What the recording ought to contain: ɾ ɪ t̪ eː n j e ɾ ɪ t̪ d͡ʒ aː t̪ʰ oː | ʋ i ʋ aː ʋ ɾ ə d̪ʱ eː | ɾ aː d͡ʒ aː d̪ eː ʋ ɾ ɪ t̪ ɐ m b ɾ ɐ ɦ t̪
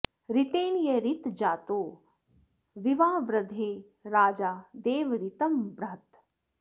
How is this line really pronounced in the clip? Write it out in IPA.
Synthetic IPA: ɾ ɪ t̪ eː n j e ɾ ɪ t̪ d͡ʒ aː t̪ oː | ʋ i ʋ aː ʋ ɾ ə d̪ʱ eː | ɾ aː d͡ʒ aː d̪ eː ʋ ɾ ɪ t̪ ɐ m b ɾ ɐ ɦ t̪